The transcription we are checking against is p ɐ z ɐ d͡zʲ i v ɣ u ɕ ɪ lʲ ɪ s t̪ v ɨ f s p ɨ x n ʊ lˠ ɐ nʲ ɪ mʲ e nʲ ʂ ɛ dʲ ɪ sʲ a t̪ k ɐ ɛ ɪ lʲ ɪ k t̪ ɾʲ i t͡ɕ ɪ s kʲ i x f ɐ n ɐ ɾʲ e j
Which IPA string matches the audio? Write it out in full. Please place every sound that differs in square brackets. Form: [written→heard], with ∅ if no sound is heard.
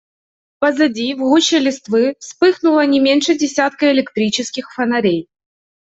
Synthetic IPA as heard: p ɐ z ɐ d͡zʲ i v ɣ u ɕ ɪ lʲ ɪ s t̪ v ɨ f s p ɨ x n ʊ lˠ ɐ nʲ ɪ mʲ e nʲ ʂ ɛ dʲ ɪ sʲ a t̪ k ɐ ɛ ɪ lʲ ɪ k t̪ ɾʲ i t͡ɕ ɪ s kʲ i x f ɐ n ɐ ɾʲ e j